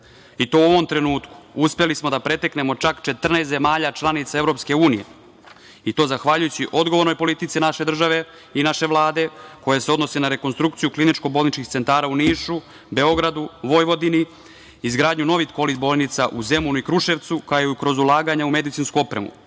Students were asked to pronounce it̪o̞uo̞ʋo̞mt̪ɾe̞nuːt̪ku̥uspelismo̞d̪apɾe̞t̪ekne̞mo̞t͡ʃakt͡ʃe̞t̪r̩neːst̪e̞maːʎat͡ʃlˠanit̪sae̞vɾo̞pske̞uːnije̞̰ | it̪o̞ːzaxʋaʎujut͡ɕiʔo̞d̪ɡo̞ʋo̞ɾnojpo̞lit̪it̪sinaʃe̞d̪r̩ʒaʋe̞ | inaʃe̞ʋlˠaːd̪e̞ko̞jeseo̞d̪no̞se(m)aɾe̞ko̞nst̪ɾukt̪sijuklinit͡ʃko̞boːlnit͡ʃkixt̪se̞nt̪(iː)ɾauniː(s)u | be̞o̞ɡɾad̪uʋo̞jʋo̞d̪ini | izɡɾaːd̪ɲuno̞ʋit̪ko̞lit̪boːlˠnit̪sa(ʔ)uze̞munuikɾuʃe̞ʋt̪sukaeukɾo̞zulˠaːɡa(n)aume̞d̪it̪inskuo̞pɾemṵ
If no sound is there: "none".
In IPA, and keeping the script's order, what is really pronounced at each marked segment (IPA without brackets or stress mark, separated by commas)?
n, aː, ʃ, ʔ, ɲ